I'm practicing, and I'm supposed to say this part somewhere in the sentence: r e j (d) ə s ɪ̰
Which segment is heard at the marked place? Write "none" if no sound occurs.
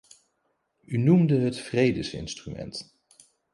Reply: d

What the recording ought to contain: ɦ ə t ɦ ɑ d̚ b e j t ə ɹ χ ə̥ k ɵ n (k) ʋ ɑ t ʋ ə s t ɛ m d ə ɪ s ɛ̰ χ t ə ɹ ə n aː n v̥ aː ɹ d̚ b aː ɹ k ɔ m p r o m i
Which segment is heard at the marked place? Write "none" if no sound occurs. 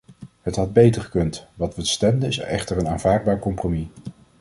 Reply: t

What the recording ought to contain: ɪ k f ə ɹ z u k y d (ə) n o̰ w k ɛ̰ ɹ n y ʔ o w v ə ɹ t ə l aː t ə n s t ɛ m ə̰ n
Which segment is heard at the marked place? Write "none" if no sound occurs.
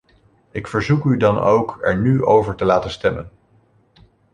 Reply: ɑ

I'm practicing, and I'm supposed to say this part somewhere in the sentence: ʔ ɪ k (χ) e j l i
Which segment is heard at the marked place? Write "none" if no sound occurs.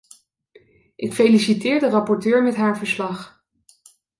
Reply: f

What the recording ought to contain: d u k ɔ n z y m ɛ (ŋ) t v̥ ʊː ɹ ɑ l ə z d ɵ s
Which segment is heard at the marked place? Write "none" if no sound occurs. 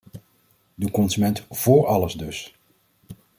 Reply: n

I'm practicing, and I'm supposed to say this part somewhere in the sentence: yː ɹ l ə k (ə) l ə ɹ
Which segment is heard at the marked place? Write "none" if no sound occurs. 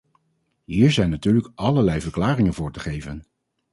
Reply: ɑ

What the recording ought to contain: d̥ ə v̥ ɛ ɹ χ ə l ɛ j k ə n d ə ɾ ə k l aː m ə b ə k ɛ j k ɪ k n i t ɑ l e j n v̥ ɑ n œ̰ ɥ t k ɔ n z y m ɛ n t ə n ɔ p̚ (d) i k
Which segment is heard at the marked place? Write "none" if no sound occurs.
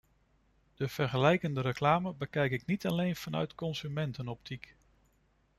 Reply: t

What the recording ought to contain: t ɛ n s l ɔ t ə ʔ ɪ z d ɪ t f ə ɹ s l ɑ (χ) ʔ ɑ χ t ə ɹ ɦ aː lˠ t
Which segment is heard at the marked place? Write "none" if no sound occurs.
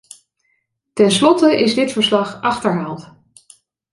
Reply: χ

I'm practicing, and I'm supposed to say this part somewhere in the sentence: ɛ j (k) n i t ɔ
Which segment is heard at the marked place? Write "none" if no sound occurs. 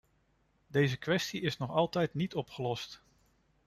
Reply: t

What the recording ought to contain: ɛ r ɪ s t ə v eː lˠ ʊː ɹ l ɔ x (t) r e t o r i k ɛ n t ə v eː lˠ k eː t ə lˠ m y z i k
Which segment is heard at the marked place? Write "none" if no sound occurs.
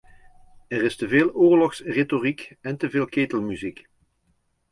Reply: s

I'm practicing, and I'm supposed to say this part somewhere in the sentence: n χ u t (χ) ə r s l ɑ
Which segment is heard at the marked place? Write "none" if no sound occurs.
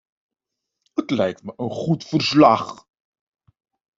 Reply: f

